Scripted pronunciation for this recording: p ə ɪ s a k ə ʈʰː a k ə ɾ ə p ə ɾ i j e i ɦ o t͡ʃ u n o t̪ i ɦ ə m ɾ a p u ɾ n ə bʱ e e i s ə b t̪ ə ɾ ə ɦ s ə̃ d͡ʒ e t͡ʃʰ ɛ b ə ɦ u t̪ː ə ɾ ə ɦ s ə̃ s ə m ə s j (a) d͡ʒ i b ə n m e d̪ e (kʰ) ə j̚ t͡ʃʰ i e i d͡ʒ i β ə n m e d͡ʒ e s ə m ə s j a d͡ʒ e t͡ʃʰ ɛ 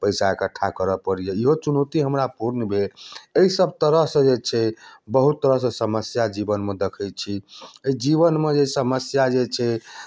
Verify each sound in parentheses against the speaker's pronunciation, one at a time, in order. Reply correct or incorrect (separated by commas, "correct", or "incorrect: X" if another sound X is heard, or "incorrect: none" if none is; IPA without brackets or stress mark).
correct, correct